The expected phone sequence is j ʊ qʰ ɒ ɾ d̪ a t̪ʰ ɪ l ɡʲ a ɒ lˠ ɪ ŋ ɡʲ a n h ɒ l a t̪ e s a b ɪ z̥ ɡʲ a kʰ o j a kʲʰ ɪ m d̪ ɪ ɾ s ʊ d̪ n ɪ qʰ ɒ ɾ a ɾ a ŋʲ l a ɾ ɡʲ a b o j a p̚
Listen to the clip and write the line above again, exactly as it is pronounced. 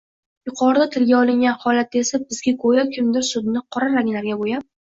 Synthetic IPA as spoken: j ʊ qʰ ɒ ɾ d̪ a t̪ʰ ɪ l ɡʲ a ɒ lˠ ɪ ŋ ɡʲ a n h ɒ l a t̪ e s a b ɪ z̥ ɡʲ a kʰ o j a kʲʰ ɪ m d̪ ɪ ɾ s ʊ d̪ n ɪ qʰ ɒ ɾ a ɾ a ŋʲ l a ɾ ɡʲ a b o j a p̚